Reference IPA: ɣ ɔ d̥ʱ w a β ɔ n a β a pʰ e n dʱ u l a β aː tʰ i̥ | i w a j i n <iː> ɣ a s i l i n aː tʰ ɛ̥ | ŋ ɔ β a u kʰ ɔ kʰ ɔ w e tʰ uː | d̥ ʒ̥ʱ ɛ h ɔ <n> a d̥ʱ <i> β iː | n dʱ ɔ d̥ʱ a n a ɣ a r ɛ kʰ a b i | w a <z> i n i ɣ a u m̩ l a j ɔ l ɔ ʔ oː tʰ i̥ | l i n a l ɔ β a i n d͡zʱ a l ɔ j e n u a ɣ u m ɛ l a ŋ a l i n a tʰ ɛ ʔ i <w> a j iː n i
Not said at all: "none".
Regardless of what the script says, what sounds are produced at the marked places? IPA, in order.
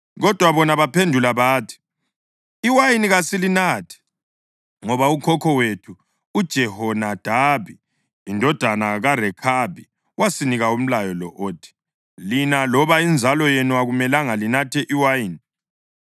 i, n, a, s, w

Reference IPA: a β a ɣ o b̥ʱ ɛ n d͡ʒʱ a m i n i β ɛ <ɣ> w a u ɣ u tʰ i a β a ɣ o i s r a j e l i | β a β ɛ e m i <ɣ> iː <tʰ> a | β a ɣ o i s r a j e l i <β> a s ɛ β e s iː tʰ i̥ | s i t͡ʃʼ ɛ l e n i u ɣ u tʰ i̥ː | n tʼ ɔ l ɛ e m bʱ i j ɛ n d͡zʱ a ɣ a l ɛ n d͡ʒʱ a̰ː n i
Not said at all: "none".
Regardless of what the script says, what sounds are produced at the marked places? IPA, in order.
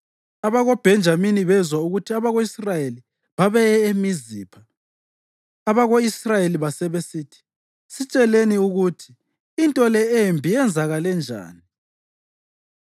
z, z, pʰ, β

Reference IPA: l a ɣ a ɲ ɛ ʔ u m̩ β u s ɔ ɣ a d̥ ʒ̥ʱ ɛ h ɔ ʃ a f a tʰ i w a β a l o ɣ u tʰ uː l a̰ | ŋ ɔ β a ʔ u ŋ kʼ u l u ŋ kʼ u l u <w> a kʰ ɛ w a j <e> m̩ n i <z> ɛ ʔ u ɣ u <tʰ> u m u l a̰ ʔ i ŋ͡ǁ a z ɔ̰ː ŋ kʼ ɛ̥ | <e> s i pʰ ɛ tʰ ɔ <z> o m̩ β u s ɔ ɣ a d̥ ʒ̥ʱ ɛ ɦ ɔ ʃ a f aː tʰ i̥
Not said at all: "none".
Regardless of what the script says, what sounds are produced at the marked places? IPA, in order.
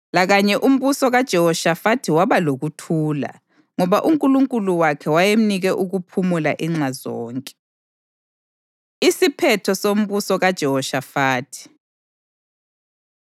w, e, ɣ, pʰ, i, s

